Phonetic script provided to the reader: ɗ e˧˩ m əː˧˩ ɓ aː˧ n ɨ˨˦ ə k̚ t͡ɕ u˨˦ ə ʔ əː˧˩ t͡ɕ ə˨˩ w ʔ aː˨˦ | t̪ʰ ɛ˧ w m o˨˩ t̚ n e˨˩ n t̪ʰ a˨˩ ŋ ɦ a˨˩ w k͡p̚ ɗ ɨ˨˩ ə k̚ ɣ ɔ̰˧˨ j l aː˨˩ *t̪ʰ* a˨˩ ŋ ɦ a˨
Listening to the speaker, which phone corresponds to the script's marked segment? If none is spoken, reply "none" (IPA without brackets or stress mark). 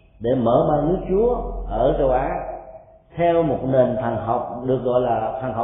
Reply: t̪ʰ